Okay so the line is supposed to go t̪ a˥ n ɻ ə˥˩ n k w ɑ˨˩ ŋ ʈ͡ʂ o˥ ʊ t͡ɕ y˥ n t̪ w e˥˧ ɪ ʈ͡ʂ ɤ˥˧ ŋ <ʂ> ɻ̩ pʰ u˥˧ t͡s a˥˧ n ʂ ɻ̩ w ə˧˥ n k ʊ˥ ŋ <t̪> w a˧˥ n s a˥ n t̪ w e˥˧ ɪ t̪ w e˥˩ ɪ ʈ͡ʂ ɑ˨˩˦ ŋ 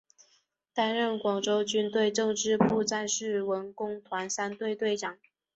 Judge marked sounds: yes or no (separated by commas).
no, no